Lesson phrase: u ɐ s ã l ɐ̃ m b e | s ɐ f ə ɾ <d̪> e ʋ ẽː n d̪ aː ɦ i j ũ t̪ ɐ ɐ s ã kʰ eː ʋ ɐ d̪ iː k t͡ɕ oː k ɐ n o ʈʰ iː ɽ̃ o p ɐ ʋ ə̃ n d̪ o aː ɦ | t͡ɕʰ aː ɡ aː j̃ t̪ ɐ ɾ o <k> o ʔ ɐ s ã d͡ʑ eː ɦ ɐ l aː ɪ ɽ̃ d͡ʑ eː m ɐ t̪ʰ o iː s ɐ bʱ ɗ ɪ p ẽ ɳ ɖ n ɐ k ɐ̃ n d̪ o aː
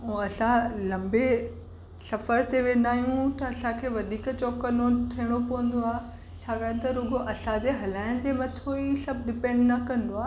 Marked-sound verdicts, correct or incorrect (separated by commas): incorrect, incorrect